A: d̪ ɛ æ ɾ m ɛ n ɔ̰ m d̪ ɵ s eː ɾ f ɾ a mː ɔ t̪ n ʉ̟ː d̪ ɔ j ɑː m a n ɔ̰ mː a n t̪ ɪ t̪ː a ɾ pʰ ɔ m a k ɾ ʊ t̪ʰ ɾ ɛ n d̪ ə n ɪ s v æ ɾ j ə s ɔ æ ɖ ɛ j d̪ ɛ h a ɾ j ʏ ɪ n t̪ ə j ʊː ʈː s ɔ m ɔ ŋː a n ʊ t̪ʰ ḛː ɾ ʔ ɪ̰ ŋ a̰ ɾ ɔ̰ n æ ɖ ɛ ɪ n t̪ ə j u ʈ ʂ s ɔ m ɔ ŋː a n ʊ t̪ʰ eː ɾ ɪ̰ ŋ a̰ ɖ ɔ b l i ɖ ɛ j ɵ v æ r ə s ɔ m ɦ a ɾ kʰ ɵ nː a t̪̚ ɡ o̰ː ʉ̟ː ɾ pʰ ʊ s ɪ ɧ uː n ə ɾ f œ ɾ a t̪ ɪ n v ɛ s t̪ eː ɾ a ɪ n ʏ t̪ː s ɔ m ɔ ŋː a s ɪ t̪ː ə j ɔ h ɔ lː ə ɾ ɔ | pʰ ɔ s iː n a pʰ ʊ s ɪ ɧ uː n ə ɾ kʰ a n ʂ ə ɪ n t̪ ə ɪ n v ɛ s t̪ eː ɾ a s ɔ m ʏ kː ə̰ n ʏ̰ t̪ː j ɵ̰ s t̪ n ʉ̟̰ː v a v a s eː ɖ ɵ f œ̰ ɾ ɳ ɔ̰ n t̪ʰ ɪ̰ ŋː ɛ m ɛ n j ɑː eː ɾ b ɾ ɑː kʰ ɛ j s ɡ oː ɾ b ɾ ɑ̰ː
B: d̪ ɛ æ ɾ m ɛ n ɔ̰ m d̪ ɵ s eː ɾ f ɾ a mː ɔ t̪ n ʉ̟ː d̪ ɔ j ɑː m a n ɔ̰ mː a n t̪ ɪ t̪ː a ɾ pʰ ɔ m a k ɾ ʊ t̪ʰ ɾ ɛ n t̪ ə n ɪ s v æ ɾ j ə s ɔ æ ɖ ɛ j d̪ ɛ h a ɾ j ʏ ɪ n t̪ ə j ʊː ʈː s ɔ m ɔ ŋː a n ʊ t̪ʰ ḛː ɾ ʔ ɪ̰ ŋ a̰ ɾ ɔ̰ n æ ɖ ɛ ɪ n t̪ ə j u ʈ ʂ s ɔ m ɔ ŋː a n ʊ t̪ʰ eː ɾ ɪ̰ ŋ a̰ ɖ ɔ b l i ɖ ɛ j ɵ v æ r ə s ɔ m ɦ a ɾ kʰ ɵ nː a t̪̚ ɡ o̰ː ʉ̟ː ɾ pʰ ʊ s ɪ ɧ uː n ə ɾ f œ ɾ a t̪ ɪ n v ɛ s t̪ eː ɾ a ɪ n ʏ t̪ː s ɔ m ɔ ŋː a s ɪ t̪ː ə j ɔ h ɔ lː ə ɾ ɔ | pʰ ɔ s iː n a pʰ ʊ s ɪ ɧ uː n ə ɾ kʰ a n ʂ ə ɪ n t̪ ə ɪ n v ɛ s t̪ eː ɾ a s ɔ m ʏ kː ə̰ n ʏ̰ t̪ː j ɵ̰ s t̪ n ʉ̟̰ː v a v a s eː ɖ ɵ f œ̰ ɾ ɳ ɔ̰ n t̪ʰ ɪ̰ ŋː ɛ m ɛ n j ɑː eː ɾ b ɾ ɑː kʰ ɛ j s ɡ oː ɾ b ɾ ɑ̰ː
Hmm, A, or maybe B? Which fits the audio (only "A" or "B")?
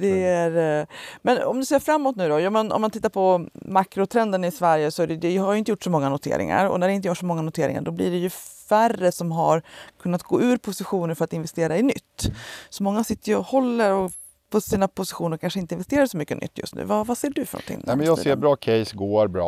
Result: A